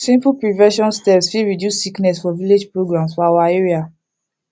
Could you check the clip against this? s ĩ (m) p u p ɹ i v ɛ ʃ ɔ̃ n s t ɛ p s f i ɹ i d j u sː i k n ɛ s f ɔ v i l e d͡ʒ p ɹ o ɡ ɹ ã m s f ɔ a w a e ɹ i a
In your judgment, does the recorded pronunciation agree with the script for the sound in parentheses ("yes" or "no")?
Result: yes